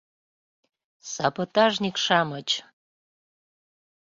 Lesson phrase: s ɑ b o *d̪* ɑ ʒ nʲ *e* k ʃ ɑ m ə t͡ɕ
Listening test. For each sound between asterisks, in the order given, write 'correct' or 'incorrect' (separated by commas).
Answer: incorrect, incorrect